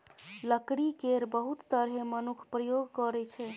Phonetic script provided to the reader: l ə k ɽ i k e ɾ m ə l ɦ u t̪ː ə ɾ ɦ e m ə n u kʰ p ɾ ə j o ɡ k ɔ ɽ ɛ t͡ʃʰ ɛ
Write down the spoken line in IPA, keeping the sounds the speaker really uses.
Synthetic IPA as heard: l ə k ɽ i k e ɾ b ə ɦ u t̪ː ə ɾ ɦ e m ə n u kʰ p ɾ ə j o ɡ k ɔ ɾ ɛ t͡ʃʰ ɛ